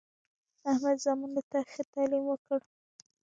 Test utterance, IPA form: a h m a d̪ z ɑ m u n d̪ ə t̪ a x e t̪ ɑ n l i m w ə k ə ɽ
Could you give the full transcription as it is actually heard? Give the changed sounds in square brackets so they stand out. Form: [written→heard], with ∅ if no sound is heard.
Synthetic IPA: a h m a d̪ z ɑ m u n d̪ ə t̪ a x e t̪ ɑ [n→∅] l i m w ə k ə ɽ